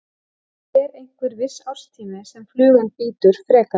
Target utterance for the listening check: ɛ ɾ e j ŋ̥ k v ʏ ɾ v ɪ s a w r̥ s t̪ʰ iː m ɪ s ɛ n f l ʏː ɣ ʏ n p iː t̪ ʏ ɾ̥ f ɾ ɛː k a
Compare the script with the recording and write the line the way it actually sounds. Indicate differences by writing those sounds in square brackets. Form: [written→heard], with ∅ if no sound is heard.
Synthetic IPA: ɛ ɾ e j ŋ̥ k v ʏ ɾ v ɪ s a w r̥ s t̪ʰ iː m ɪ s ɛ [n→m] f l ʏː ɣ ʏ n p iː t̪ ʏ ɾ̥ f ɾ ɛː k a